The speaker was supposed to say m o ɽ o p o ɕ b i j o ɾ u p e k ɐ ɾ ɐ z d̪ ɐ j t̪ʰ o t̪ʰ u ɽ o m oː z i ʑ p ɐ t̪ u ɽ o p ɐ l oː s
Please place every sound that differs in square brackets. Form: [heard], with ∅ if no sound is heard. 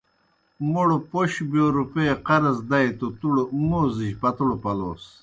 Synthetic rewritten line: m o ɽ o p o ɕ b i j o ɾ u p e [q] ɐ ɾ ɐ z d̪ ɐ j [t̪] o [t̪] u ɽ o m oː z i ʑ p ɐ t̪ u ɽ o p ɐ l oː s